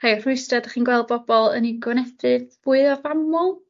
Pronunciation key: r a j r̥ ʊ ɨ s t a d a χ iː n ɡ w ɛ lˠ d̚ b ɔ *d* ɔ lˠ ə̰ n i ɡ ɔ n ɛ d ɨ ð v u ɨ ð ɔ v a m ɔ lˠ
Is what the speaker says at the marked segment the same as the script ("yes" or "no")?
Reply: no